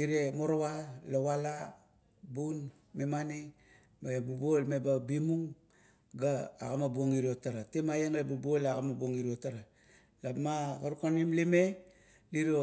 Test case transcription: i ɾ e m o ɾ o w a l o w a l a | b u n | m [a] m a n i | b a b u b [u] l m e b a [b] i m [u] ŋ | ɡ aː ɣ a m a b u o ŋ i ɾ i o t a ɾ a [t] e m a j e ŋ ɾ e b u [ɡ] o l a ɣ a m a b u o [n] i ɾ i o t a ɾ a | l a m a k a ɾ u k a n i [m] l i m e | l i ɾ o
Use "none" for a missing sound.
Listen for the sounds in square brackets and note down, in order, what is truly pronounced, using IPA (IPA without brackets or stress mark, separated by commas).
e, o, b, u, t, b, ŋ, m